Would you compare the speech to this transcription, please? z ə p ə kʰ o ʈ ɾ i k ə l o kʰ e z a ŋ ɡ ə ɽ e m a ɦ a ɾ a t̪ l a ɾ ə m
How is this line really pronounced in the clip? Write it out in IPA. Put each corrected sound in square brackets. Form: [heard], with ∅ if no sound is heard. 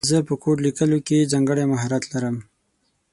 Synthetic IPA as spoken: z ə p ə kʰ o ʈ [l] i k ə l o [k] e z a ŋ ɡ ə ɽ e m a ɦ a ɾ a t̪ l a ɾ ə m